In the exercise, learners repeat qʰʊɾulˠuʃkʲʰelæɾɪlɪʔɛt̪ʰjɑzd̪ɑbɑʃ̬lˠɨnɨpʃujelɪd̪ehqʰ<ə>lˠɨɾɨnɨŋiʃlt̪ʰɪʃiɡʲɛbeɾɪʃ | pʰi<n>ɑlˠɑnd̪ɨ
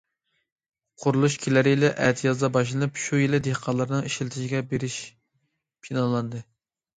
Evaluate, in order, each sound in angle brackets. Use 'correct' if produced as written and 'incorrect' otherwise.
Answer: incorrect, correct

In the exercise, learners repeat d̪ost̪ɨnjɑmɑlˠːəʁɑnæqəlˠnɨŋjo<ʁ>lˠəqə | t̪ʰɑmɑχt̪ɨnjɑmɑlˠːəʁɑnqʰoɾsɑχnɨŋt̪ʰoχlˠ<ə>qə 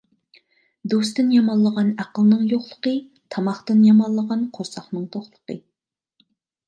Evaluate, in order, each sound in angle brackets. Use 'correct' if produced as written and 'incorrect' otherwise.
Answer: incorrect, correct

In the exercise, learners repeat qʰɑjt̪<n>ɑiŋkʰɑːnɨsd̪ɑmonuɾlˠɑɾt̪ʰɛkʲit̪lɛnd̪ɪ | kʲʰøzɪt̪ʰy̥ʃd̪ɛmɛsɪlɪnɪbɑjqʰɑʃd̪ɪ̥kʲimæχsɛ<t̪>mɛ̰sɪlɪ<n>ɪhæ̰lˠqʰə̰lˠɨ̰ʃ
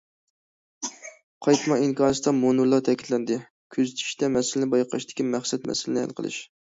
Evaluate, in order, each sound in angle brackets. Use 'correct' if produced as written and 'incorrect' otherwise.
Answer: incorrect, correct, correct

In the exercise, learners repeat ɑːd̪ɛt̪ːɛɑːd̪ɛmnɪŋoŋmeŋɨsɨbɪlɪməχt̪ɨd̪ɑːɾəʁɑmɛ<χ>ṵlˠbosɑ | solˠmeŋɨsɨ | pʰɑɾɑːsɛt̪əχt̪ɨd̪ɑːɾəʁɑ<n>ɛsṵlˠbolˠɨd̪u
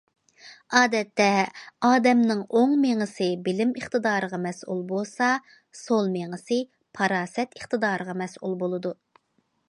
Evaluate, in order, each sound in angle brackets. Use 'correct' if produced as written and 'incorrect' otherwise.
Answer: incorrect, incorrect

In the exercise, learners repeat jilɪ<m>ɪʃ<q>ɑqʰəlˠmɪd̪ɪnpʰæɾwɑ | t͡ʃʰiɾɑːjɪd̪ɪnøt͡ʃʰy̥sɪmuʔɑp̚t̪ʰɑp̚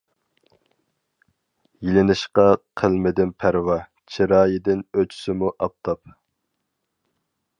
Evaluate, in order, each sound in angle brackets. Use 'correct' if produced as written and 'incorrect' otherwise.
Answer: incorrect, correct

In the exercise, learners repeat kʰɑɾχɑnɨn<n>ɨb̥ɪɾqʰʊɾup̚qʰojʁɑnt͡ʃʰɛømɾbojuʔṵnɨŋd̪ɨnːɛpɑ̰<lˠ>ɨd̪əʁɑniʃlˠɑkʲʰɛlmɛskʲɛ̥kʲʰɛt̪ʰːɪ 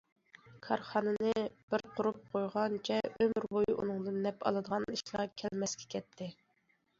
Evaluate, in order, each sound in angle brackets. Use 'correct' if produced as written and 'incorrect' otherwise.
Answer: correct, correct

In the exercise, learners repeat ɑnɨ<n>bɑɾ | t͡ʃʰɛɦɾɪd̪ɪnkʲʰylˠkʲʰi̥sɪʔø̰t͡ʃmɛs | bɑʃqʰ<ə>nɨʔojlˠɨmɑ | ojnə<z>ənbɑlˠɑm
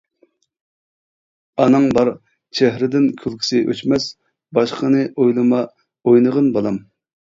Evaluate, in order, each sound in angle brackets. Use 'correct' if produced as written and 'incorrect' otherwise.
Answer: incorrect, correct, incorrect

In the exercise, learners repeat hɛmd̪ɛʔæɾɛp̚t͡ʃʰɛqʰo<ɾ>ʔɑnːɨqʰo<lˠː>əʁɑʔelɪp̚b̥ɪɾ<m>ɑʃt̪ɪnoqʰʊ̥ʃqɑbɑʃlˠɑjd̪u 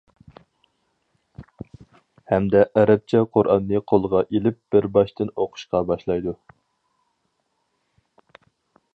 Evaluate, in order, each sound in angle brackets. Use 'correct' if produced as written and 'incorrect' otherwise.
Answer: correct, incorrect, incorrect

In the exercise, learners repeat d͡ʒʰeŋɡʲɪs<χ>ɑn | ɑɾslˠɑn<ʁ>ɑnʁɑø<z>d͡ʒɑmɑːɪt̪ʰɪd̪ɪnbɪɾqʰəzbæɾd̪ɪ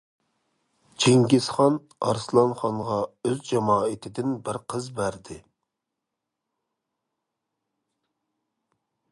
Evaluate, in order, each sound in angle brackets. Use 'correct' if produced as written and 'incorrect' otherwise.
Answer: correct, incorrect, correct

